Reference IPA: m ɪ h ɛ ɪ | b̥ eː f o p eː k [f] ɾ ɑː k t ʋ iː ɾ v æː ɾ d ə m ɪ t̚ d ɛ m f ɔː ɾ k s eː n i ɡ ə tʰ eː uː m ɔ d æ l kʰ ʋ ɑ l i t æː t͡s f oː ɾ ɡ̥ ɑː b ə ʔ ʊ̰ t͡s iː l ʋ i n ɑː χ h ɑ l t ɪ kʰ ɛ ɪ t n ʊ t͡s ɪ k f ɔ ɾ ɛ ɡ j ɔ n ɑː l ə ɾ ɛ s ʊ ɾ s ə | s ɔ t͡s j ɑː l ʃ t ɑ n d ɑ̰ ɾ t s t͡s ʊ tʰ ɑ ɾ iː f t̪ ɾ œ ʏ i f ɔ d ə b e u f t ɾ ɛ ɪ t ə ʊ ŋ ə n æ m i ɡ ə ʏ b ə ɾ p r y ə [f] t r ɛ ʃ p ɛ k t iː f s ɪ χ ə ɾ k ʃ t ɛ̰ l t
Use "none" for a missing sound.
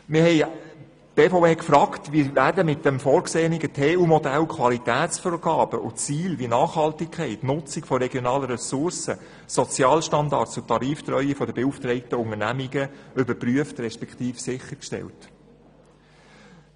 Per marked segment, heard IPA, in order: f, f

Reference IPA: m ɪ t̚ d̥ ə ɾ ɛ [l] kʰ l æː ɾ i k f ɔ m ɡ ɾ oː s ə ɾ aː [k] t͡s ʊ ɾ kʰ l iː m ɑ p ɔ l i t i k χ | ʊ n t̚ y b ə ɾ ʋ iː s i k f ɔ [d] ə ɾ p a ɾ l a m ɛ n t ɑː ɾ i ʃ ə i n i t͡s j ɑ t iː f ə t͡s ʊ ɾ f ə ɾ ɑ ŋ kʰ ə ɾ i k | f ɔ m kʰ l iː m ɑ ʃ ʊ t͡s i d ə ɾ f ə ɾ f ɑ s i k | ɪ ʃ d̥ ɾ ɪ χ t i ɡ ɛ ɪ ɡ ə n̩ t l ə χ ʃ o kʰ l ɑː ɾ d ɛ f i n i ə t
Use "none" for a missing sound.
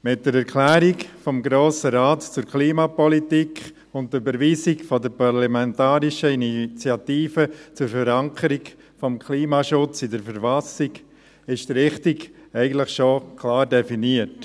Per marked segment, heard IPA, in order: ɾ, t, d

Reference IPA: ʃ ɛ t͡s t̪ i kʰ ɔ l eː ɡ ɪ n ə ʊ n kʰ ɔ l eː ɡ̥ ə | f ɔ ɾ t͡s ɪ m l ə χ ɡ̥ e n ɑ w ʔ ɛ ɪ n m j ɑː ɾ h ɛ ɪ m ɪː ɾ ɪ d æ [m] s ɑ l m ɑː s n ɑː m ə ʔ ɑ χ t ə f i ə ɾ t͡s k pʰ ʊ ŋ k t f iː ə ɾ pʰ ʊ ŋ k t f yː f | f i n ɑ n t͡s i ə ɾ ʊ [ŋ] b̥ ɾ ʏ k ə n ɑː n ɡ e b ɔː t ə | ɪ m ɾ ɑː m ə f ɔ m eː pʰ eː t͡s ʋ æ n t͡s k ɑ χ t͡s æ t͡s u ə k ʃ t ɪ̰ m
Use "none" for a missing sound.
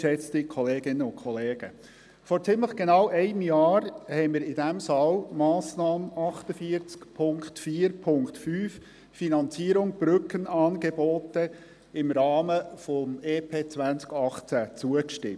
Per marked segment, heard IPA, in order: m, ŋ

